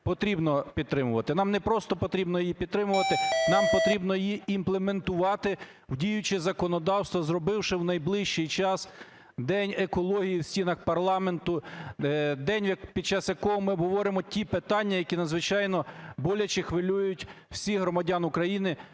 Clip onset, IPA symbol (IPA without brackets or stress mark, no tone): p